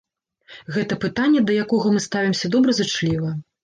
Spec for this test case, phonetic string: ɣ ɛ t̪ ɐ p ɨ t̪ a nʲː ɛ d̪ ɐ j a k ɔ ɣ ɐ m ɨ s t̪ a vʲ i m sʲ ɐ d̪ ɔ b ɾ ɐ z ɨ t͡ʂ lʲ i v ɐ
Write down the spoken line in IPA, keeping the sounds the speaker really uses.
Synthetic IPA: ɣ ɛ t̪ ɐ p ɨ t̪ a nʲː ɛ d̪ ɐ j a k ɔ ɣ ɐ m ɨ s t̪ a vʲ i m sʲ ɐ d̪ ɔ b ɾ ɐ z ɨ t͡ʂ lʲ i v ɐ